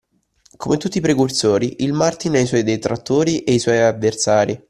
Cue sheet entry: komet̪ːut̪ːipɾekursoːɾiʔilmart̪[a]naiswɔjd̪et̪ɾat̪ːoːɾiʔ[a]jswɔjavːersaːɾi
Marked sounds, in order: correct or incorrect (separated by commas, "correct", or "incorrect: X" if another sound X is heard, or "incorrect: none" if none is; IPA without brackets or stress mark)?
incorrect: i, incorrect: e